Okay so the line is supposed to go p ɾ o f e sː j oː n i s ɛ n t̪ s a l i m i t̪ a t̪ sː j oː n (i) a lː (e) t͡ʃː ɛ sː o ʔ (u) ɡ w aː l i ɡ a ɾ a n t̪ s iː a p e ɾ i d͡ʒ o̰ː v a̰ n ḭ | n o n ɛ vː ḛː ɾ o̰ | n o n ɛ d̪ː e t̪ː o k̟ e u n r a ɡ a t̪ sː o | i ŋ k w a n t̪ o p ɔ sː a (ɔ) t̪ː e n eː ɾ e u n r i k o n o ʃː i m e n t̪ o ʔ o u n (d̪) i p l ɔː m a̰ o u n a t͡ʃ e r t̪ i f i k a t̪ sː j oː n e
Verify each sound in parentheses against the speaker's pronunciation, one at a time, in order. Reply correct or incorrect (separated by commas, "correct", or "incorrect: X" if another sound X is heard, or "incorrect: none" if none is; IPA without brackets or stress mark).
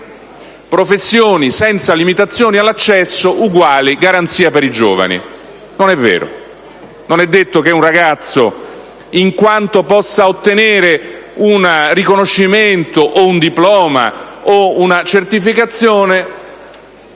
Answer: correct, incorrect: a, correct, incorrect: o, correct